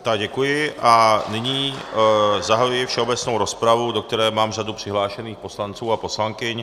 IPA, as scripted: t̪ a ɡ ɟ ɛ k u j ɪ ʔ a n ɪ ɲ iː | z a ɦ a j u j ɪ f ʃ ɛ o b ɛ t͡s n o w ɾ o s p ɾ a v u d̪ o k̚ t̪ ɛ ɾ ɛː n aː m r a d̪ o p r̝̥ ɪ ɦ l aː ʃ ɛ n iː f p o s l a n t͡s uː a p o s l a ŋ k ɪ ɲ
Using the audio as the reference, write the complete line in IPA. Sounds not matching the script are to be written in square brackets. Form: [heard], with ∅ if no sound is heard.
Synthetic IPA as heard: t̪ a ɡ ɟ ɛ k u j ɪ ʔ a n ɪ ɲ iː | z a ɦ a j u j ɪ f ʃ ɛ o b ɛ t͡s n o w ɾ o s p ɾ a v u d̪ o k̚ t̪ ɛ ɾ ɛː [m] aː m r a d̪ [u] p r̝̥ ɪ ɦ l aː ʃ ɛ n iː [x] p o s l a n t͡s uː a p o s l a ŋ k ɪ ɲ